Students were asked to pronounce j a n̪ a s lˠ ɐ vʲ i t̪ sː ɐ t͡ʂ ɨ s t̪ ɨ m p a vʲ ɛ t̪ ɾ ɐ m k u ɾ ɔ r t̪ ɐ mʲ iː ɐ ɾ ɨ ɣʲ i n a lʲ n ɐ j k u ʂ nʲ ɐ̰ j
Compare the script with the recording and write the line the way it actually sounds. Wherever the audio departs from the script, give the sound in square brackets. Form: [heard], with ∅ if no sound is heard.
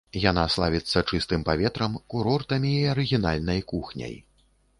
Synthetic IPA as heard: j a n̪ a s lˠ [a] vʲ i t̪ sː ɐ t͡ʂ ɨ s t̪ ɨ m p a vʲ ɛ t̪ ɾ ɐ m k u ɾ ɔ r t̪ ɐ mʲ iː ɐ ɾ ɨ ɣʲ i n a lʲ n ɐ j k u [x] nʲ ɐ̰ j